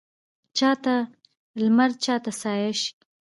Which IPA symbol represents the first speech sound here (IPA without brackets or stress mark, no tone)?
t͡ʃ